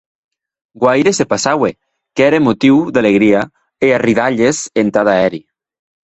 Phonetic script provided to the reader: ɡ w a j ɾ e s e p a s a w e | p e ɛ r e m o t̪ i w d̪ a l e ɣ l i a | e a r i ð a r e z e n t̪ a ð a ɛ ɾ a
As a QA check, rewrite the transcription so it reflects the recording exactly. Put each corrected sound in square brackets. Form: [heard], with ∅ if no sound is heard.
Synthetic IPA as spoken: ɡ w a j ɾ e s e p a s a w e | [k] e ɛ [ɾ] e m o t̪ i w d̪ a l e ɣ [ɾ] i a | e a r i ð a [ʎ] e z e n t̪ a ð a ɛ ɾ [i]